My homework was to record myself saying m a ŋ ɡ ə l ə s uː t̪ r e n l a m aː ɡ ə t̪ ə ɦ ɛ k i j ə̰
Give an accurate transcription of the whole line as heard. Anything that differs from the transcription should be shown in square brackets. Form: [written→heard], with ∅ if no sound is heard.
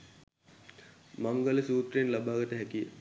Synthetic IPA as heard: m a ŋ ɡ ə l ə s uː t̪ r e n l a [m→b] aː ɡ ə t̪ ə ɦ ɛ k i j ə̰